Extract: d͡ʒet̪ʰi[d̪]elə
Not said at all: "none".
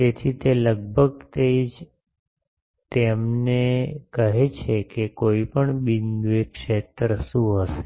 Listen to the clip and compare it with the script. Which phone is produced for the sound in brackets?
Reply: t̪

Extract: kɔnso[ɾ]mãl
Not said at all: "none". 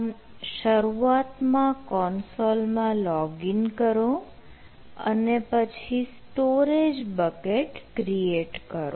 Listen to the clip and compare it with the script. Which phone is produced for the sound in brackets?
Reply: l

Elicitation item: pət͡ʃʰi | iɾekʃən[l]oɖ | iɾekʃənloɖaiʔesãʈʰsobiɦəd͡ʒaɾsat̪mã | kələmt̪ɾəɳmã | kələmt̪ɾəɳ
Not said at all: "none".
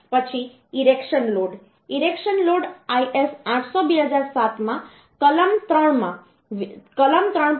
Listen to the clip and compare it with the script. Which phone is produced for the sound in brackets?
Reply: l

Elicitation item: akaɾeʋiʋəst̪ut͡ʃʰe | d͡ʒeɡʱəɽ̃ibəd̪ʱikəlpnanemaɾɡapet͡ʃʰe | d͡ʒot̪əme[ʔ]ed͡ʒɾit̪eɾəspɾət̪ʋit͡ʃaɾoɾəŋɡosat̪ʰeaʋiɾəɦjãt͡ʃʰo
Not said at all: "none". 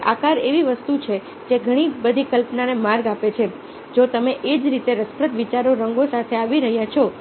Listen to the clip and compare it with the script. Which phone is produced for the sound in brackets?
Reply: ʔ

